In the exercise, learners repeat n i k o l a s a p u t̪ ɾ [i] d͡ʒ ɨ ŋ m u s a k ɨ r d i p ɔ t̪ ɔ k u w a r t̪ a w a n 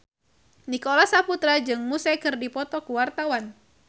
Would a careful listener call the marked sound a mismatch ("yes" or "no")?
yes